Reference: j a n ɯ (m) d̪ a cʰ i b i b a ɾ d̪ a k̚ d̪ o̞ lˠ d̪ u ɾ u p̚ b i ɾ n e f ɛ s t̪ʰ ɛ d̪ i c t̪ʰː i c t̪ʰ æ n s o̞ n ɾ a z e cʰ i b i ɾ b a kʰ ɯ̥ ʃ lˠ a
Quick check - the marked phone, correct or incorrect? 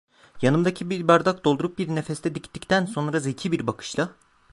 correct